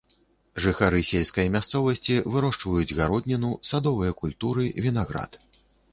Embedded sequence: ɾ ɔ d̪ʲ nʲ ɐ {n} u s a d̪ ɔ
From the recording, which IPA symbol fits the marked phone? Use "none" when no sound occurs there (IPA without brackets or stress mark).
n